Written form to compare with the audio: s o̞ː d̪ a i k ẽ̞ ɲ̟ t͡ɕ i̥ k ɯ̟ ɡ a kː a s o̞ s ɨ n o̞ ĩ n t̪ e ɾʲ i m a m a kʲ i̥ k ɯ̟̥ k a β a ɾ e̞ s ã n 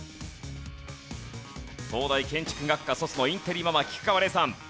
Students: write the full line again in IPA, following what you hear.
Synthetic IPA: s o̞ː d̪ a i k ẽ̞ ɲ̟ t͡ɕ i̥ k ɯ̟ ɡ a kː a s o̞ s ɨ n o̞ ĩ n t̪ e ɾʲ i m a m a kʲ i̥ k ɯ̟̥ k a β a ɾ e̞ s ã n